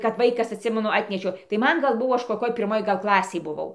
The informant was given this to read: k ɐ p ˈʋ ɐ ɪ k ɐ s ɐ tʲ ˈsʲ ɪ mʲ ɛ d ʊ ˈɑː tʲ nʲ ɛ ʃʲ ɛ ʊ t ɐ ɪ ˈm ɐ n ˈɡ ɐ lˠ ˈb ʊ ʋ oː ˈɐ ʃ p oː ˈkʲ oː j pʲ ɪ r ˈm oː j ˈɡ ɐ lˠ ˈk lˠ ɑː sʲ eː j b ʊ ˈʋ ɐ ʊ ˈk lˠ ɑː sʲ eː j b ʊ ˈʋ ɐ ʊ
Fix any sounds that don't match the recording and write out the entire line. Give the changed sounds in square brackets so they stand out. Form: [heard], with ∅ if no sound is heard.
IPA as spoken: k ɐ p ˈʋ ɐ ɪ k ɐ s ɐ tʲ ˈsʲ ɪ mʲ ɛ [n] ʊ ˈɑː tʲ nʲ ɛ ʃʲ ɛ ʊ t ɐ ɪ ˈm ɐ n ˈɡ ɐ lˠ ˈb ʊ ʋ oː ˈɐ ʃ [k] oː ˈkʲ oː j pʲ ɪ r ˈm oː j ˈɡ ɐ lˠ ˈk lˠ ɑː sʲ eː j b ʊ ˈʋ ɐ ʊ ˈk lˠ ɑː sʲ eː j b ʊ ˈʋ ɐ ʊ